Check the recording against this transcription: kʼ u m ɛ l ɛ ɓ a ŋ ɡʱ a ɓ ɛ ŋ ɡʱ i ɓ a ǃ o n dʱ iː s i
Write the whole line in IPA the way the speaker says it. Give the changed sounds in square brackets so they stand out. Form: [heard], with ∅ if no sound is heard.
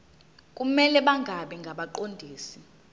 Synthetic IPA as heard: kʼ u m ɛ l ɛ ɓ a ŋ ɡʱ a ɓ ɛ ŋ ɡʱ [a] ɓ a ǃ o n dʱ iː s i